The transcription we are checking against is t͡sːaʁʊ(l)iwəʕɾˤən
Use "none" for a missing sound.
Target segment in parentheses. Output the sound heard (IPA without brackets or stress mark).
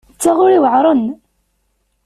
ɾ